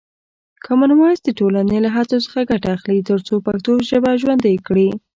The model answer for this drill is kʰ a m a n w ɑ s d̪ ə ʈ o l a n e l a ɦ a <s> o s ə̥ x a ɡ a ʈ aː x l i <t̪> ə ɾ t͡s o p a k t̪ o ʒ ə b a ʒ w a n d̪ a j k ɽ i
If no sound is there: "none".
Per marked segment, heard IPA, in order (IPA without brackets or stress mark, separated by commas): t͡s, t̪